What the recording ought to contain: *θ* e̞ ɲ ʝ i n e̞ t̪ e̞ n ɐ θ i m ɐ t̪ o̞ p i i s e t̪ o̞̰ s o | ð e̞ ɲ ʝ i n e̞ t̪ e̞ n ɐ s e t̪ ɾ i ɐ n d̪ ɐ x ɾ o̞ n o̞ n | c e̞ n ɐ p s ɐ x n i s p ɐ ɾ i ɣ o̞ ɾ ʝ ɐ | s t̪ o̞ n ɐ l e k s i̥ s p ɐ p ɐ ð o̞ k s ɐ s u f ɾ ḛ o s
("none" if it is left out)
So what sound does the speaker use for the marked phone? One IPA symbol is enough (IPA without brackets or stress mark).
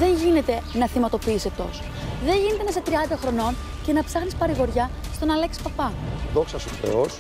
ð